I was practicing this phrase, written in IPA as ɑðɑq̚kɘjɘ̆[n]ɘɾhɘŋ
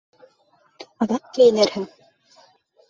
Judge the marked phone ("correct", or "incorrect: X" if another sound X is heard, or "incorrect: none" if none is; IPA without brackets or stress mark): correct